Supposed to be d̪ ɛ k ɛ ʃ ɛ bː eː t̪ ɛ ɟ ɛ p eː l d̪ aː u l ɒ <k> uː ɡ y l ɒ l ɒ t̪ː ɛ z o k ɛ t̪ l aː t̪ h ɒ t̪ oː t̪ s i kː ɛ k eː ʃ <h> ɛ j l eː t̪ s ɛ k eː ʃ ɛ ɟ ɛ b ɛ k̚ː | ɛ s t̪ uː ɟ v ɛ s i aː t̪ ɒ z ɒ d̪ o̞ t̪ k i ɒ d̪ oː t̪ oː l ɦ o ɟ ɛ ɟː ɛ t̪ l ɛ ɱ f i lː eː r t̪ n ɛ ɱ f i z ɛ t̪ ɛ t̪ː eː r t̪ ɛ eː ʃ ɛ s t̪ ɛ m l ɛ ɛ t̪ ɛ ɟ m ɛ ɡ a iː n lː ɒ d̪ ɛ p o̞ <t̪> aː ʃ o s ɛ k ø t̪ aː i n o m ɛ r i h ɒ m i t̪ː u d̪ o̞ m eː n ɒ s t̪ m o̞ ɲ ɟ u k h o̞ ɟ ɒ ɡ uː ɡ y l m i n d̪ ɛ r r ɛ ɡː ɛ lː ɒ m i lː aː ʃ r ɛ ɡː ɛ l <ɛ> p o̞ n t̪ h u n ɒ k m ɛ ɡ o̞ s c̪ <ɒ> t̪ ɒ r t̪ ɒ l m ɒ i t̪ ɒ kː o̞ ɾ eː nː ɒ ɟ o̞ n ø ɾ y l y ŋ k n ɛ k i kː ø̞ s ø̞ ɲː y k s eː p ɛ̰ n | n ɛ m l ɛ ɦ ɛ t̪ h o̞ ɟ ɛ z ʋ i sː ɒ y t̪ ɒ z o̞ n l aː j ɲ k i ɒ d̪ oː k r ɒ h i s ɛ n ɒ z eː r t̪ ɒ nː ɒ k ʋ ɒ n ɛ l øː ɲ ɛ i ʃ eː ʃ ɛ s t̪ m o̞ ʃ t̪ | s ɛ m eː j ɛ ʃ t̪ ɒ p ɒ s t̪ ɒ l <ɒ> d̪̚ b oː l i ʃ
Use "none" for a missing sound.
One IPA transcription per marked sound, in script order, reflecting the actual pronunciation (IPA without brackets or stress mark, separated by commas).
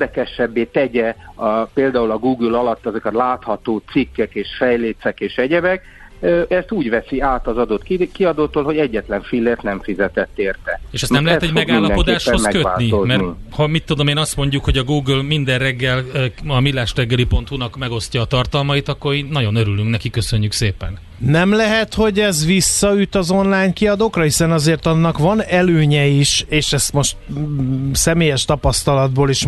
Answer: ɡ, f, d̪, i, ɒː, ɒ